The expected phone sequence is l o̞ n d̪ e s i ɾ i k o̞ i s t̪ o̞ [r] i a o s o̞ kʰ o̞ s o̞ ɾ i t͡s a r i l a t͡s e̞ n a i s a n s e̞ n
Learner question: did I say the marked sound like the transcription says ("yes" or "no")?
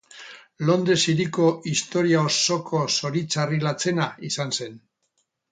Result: no